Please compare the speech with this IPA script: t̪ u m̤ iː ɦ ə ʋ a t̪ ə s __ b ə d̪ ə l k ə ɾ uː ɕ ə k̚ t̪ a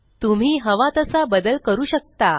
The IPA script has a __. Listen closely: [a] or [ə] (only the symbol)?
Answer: a